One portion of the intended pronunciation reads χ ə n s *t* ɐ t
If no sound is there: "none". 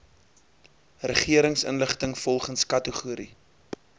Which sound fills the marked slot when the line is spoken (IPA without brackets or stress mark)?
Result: k